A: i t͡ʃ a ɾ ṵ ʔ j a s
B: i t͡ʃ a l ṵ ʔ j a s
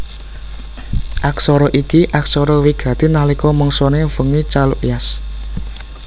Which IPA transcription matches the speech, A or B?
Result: B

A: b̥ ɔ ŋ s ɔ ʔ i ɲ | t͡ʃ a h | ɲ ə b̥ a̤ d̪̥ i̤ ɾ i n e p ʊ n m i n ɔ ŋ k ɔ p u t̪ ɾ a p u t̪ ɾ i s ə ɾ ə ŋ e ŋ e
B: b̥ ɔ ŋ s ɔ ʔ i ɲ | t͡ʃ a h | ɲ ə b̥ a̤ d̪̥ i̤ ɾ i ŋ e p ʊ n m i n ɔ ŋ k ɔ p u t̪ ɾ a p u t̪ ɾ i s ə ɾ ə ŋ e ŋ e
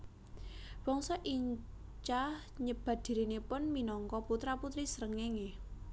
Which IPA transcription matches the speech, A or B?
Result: A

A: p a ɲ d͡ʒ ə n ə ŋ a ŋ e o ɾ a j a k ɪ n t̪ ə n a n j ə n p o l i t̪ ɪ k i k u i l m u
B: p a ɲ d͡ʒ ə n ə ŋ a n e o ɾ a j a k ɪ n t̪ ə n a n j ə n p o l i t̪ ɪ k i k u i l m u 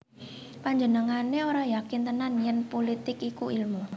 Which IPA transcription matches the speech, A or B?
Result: B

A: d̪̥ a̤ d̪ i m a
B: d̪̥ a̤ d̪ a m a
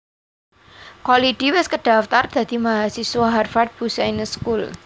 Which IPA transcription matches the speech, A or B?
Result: A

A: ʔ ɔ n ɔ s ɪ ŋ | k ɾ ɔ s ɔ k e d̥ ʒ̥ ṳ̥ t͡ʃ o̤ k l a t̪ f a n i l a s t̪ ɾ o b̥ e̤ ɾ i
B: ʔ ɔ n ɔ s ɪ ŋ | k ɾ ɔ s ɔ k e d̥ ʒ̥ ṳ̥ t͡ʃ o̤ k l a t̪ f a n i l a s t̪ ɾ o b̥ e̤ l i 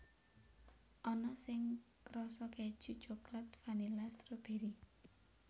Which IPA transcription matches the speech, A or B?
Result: A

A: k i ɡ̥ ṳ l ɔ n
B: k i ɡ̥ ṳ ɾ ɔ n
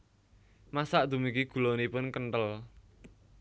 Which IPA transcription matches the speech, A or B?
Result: A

